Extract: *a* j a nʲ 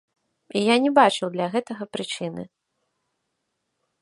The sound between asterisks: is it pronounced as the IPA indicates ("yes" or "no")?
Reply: no